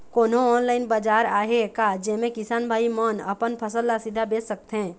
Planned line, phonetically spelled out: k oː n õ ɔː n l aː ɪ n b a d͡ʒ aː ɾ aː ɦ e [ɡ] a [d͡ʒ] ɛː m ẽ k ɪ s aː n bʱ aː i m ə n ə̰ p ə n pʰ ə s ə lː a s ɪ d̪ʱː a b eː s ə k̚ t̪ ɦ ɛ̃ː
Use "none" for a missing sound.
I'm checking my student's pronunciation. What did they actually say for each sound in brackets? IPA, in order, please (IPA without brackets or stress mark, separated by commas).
k, d͡ʒ